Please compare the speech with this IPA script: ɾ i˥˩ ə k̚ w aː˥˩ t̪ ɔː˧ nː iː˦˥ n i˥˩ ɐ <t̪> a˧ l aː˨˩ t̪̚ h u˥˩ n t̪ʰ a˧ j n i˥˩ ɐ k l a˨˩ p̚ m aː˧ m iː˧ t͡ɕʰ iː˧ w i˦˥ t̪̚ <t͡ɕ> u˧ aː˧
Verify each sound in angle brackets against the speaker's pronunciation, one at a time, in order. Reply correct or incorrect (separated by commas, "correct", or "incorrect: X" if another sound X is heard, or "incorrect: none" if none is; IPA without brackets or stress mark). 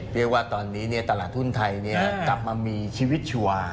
correct, incorrect: t͡ɕʰ